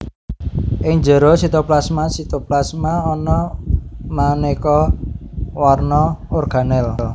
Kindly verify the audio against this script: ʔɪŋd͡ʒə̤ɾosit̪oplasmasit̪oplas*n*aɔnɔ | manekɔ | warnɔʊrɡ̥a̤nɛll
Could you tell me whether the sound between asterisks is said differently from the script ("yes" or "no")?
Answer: yes